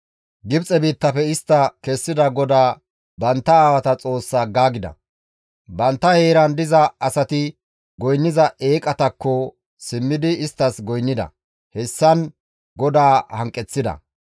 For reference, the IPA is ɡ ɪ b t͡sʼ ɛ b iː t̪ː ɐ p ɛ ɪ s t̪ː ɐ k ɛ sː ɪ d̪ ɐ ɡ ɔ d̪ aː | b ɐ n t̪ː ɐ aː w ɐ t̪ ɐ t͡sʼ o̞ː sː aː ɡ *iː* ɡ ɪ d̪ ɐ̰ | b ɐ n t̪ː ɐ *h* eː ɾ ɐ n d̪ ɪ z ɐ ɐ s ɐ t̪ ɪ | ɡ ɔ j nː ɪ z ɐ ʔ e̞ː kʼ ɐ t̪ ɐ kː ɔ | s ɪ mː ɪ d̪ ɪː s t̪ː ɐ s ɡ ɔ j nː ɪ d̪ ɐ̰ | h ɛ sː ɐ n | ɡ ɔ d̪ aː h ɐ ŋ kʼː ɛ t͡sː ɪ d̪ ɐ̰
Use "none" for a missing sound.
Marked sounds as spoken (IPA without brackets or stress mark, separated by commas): aː, h